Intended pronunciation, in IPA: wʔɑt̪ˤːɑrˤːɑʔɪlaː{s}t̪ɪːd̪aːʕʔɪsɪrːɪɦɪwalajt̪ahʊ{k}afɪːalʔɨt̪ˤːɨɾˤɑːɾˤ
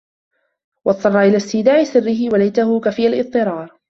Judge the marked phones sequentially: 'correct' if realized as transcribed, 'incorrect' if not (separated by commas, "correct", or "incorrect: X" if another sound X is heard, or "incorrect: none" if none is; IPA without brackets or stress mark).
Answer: correct, correct